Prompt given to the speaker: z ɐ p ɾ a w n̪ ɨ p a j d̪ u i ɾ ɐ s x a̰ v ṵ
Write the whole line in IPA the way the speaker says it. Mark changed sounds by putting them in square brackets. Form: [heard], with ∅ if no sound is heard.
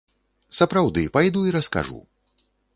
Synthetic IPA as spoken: [s] ɐ p ɾ a w [d̪] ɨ p a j d̪ u i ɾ ɐ s [k] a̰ [ʐ] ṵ

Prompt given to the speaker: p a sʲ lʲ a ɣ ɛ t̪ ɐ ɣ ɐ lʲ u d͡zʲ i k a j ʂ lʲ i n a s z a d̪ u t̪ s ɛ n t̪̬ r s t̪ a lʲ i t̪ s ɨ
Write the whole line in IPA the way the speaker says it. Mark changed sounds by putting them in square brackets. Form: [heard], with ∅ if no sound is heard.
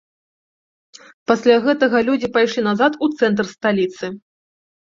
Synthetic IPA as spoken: p a sʲ lʲ a ɣ ɛ t̪ ɐ ɣ ɐ lʲ u d͡zʲ i [p] a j ʂ lʲ i n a [∅] z a [t̪] u t̪ s ɛ n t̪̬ r s t̪ a lʲ i t̪ s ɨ

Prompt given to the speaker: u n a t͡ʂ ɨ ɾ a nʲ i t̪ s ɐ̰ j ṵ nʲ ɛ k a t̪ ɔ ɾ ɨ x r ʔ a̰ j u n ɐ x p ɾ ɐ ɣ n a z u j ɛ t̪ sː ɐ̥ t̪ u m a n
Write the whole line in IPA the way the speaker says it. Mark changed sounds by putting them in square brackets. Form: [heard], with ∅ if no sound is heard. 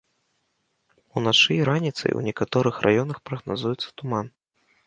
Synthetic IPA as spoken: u n a t͡ʂ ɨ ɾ a nʲ i t̪ s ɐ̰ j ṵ nʲ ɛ k a t̪ ɔ ɾ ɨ x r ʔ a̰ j [ɔ] n ɐ x p ɾ ɐ ɣ n a z u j ɛ t̪ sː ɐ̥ t̪ u m a n

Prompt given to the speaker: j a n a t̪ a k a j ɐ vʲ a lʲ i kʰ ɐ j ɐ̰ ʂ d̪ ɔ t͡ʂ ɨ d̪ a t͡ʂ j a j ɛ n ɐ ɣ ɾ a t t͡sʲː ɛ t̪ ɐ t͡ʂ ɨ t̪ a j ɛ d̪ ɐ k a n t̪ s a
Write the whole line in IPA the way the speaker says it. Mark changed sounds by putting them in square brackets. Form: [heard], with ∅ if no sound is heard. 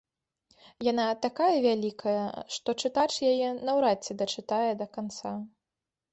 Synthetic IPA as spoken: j a n a t̪ a k a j ɐ vʲ a lʲ i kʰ ɐ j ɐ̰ ʂ [t̪] ɔ t͡ʂ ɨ [t̪] a t͡ʂ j a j ɛ n ɐ [w] ɾ a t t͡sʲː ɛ [d̪] ɐ t͡ʂ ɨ t̪ a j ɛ d̪ ɐ k a n t̪ s a

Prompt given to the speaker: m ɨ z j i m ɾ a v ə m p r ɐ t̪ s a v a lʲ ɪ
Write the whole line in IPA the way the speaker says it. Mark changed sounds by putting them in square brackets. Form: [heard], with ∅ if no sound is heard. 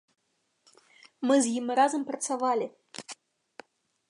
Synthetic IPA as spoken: m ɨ z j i m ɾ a [z] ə m p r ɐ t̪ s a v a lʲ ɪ

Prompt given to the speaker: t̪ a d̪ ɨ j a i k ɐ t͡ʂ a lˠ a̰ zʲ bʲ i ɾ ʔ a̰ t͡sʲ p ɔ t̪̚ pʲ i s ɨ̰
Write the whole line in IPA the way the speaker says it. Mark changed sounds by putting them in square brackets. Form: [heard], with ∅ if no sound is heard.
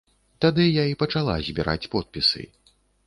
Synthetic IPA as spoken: t̪ a d̪ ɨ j a i [p] ɐ t͡ʂ a lˠ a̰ zʲ bʲ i ɾ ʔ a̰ t͡sʲ p ɔ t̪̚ pʲ i s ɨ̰

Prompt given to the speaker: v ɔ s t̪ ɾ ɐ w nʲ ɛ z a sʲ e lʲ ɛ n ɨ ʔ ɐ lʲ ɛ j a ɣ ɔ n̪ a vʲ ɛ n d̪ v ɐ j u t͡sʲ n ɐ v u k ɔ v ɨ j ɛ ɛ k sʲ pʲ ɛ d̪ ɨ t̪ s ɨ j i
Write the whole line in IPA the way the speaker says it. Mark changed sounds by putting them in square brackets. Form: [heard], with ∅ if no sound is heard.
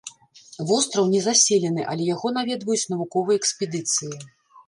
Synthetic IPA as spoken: v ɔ s t̪ ɾ ɐ w nʲ ɛ z a sʲ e lʲ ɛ n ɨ ʔ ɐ lʲ ɛ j a ɣ ɔ n̪ a vʲ ɛ [∅] d̪ v ɐ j u t͡sʲ n ɐ v u k ɔ v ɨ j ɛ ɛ k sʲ pʲ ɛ d̪ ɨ t̪ s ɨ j i

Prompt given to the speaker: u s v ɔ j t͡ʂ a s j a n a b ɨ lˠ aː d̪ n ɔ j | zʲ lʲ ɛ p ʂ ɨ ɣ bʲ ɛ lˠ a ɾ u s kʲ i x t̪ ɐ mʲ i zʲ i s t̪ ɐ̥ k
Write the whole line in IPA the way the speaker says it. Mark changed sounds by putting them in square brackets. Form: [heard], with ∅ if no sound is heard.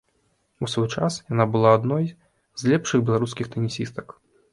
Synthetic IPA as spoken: u s v ɔ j t͡ʂ a s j a n a b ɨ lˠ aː d̪ n ɔ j | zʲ lʲ ɛ p ʂ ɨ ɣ bʲ ɛ lˠ a ɾ u s kʲ i x t̪ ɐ [nʲ] i [sʲ] i s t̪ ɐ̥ k

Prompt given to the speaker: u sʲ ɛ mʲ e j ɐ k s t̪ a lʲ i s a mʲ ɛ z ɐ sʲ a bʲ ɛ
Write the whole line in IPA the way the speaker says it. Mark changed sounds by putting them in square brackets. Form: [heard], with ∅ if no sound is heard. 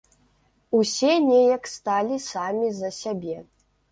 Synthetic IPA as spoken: u sʲ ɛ [nʲ] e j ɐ k s t̪ a lʲ i s a mʲ [i] z ɐ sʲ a bʲ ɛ

